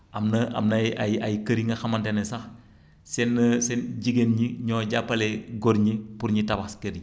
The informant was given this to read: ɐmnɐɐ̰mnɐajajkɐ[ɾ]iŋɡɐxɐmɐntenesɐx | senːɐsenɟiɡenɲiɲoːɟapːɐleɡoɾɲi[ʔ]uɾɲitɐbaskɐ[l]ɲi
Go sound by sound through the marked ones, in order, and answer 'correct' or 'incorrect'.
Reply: correct, incorrect: p, incorrect: ɾ

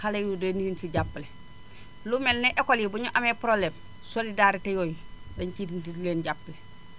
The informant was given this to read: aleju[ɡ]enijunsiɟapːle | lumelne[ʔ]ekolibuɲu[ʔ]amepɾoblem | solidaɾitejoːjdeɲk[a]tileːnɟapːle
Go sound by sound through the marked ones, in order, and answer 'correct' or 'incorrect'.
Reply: incorrect: d, correct, correct, incorrect: i

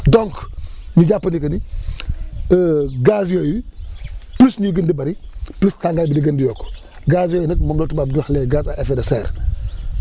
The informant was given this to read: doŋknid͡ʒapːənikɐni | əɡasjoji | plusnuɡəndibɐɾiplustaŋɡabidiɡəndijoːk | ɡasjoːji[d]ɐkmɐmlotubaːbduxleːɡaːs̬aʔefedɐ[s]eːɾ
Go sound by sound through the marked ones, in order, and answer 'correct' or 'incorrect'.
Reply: incorrect: n, correct

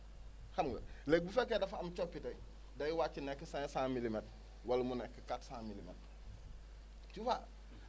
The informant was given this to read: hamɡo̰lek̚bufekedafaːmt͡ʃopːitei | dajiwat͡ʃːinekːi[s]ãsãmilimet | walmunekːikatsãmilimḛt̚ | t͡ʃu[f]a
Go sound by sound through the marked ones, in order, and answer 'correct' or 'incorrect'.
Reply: correct, correct

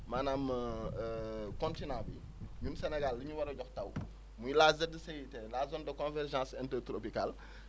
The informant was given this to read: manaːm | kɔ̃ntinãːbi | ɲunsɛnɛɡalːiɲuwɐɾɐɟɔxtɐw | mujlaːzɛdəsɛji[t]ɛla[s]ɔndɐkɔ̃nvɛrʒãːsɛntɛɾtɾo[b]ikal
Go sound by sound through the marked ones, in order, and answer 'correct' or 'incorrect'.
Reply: correct, incorrect: z, incorrect: p

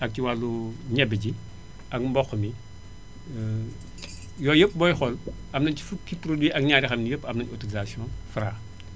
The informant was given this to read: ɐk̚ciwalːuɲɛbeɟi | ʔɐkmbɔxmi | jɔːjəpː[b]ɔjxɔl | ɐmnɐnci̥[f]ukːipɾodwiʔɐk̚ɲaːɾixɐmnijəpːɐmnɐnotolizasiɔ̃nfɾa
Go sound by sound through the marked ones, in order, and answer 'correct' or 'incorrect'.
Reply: correct, correct

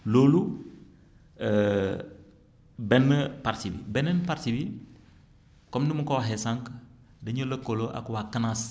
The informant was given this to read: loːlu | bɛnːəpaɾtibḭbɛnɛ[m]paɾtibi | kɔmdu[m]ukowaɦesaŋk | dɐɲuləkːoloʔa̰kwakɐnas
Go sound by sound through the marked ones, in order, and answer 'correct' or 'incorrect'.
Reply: incorrect: n, correct

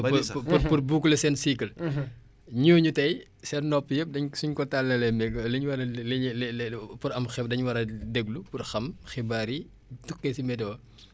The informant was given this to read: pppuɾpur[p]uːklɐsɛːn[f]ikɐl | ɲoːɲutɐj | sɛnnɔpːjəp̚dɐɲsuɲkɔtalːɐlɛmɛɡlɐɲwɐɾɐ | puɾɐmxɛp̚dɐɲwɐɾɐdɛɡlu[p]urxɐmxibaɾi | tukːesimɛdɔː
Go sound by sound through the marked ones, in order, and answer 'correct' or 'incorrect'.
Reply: incorrect: b, incorrect: s, correct

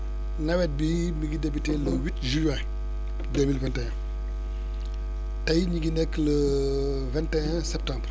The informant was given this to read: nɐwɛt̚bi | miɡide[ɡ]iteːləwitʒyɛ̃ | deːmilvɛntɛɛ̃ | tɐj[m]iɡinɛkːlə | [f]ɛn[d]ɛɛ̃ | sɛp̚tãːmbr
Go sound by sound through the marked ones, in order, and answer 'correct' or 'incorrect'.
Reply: incorrect: b, incorrect: ɲ, incorrect: v, incorrect: t

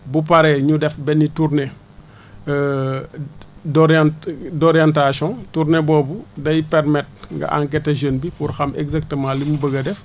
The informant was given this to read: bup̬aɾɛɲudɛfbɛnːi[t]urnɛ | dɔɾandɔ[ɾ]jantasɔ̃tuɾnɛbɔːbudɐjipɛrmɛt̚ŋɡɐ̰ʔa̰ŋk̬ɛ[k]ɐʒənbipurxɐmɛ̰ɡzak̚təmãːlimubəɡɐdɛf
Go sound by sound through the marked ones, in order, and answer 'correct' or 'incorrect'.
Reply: correct, correct, incorrect: t

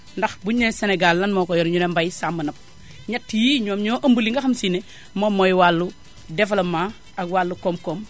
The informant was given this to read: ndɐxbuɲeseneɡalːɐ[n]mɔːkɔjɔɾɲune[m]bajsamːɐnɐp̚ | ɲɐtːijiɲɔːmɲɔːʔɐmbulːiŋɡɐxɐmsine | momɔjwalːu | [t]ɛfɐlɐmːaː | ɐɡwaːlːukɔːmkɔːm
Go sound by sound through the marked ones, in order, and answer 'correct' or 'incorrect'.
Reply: correct, correct, incorrect: d

